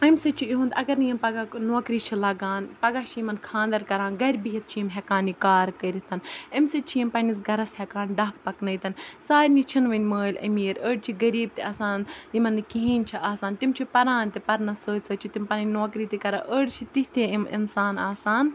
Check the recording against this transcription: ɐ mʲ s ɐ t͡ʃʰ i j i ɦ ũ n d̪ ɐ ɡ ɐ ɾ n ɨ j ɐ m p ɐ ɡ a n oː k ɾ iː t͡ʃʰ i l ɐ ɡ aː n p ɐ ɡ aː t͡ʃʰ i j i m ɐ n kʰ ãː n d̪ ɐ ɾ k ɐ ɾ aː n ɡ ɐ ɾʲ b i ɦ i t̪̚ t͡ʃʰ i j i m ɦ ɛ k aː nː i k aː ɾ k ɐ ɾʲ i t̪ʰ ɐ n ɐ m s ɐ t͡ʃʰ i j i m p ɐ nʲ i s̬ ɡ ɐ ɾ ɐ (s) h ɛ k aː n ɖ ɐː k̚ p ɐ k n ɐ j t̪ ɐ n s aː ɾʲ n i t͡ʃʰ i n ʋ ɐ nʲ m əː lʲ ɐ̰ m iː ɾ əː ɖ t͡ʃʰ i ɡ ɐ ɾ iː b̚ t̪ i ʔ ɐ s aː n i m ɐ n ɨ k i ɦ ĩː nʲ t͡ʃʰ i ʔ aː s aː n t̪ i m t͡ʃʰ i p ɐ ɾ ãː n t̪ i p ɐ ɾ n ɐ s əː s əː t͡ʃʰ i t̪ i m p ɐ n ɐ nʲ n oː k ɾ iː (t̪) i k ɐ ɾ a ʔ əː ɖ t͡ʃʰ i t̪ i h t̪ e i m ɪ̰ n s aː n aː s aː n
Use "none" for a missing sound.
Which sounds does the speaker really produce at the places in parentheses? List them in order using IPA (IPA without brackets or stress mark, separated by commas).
s, t̪